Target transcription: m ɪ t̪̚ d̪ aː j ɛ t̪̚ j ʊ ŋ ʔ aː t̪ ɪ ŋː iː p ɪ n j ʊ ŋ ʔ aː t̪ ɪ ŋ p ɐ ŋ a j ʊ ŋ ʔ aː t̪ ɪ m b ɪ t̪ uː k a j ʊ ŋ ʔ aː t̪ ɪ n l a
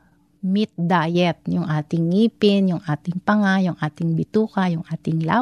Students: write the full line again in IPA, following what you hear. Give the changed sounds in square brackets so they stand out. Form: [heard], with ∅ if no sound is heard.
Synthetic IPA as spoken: m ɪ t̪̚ d̪ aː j ɛ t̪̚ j ʊ ŋ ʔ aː t̪ ɪ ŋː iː p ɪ n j ʊ ŋ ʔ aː t̪ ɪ ŋ p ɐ ŋ a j ʊ ŋ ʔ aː t̪ ɪ [ŋ] b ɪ t̪ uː k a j ʊ ŋ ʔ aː t̪ ɪ [ŋ] l a